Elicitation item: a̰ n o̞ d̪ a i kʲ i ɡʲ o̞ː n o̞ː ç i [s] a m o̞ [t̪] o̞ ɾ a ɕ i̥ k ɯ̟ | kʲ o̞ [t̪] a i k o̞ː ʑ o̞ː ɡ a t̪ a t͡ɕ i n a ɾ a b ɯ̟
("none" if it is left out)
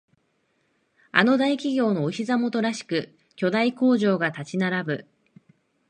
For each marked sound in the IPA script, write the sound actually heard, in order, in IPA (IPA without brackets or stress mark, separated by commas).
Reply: z, t̪, d̪